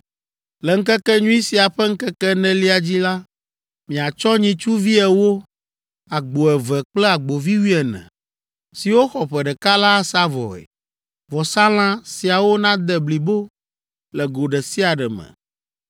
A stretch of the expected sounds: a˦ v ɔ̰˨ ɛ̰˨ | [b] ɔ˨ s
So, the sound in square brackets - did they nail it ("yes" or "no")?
no